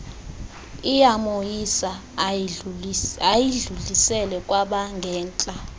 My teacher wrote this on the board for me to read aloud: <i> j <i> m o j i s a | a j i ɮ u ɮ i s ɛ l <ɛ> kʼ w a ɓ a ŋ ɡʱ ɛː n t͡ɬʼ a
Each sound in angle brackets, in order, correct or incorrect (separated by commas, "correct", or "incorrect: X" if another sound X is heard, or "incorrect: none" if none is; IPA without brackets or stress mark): correct, incorrect: a, correct